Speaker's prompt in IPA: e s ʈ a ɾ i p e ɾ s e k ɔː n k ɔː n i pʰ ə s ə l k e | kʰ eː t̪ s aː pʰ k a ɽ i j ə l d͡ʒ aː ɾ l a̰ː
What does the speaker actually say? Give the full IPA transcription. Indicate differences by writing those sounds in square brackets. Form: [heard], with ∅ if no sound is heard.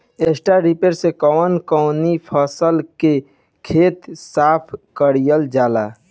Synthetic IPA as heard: e s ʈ a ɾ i p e ɾ s e k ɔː n k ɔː n i pʰ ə s ə l k e | kʰ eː t̪ s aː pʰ k [ə] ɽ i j ə l d͡ʒ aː [∅] l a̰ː